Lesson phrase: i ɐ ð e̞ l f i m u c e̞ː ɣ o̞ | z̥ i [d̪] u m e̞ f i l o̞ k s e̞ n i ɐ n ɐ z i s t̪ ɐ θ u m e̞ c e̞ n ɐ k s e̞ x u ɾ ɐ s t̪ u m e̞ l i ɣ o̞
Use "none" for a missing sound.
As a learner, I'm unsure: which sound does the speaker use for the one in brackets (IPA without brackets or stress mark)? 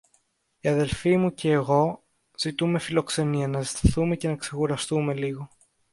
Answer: t̪